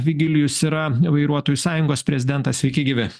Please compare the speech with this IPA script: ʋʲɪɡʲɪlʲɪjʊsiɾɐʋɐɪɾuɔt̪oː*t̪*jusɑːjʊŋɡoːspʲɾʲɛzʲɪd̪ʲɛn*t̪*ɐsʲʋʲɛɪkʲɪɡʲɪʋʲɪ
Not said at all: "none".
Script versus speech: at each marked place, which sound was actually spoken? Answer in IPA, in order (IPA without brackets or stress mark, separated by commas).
none, t̪